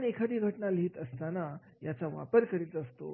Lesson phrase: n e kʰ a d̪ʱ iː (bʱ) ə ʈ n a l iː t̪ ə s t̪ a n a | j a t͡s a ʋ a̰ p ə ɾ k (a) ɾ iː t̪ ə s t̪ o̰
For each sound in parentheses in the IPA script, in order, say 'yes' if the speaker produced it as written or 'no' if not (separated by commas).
no, no